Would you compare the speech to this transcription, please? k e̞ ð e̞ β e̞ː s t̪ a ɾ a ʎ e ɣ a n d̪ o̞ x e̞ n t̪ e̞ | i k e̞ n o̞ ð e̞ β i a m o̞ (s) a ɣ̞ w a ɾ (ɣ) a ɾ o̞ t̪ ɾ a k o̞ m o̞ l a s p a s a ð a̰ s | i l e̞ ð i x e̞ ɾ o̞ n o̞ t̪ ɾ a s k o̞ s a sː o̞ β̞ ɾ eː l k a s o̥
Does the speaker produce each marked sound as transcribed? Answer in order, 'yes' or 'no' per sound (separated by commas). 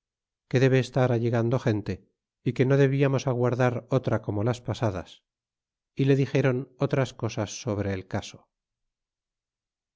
yes, no